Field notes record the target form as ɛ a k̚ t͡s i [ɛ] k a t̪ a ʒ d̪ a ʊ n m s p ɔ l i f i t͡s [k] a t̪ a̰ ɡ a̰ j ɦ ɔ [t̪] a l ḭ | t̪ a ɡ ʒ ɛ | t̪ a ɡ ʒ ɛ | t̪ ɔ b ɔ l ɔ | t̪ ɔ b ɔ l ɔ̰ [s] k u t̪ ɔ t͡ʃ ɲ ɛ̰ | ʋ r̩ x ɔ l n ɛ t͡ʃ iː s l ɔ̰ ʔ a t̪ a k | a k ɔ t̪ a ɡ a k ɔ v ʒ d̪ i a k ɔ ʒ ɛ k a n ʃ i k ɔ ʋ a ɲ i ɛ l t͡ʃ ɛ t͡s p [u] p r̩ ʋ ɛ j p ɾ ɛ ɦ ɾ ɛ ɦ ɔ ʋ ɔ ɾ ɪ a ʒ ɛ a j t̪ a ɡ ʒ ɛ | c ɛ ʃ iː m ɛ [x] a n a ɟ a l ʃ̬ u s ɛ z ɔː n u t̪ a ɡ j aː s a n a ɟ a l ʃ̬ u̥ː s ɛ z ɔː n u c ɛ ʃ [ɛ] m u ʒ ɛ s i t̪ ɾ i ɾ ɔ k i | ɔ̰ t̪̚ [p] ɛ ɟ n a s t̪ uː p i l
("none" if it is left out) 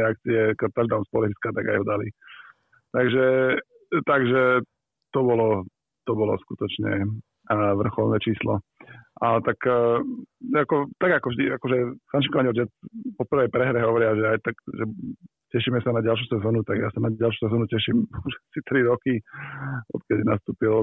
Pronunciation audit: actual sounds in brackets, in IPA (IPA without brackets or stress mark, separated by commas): ɛ, k, d̪, s, ɔ, s, i, k